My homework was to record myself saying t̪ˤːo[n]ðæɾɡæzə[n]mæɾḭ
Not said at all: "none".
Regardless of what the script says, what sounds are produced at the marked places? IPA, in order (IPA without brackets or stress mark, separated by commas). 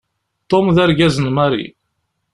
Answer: m, n